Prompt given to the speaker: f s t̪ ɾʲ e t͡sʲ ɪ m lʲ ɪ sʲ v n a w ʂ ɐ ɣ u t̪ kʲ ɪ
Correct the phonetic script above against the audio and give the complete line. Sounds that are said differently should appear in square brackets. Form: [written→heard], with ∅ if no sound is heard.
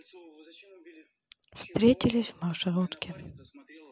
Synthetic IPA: f s t̪ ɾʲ e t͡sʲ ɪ [m→∅] lʲ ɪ sʲ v [n→m] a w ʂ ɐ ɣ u t̪ kʲ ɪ